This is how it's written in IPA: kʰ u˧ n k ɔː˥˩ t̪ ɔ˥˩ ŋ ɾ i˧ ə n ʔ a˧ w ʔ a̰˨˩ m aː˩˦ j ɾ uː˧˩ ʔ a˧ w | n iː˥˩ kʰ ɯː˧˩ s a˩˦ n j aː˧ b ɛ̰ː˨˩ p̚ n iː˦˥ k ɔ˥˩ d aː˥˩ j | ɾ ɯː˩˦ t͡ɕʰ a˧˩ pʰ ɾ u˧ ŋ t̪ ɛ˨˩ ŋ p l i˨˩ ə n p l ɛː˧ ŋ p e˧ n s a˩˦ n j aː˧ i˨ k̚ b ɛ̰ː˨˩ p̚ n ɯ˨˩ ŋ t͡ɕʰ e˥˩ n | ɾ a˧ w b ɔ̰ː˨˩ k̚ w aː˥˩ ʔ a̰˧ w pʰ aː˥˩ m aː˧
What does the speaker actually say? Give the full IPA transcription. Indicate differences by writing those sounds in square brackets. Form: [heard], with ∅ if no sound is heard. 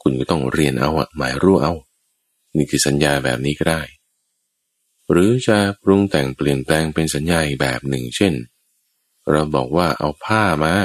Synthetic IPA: kʰ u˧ n k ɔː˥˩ t̪ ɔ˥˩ ŋ ɾ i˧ ə n ʔ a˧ w ʔ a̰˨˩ m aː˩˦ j ɾ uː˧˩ ʔ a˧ w | n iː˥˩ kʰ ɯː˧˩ s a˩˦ n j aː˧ b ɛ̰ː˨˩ p̚ n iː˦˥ k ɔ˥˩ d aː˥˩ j | ɾ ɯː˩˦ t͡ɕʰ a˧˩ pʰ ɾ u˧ ŋ t̪ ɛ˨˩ ŋ p l i˨˩ ə n p l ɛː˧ ŋ p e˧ n s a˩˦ n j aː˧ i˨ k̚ b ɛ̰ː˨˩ p̚ n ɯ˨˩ ŋ t͡ɕʰ e˥˩ n | ɾ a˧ w b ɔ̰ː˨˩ k̚ w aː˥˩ ʔ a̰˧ w pʰ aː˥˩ m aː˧